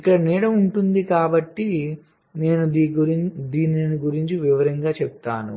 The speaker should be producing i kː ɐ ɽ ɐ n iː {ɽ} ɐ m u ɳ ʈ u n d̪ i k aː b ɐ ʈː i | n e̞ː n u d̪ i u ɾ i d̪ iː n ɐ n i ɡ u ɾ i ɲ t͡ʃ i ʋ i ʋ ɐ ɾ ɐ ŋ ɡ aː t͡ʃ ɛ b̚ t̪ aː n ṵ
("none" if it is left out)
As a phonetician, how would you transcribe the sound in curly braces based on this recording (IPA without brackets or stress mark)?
ɽ